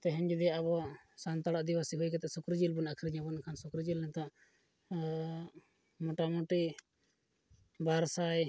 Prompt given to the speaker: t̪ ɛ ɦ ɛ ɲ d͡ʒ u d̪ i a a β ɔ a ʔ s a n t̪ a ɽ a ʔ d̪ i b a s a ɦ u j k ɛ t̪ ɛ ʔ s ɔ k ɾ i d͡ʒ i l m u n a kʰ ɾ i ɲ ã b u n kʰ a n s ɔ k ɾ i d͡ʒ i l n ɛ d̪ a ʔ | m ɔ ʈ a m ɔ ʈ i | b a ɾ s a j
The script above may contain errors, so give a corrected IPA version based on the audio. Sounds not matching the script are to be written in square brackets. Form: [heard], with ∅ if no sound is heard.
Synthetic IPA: t̪ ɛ ɦ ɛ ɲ d͡ʒ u d̪ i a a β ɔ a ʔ s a n t̪ a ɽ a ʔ d̪ i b a s [i] ɦ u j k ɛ t̪ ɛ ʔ s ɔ k ɾ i d͡ʒ i l [b] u n a kʰ ɾ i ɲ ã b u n kʰ a n s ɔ k ɾ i d͡ʒ i l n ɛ [t̪] a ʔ | m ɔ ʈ a m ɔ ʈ i | b a ɾ s a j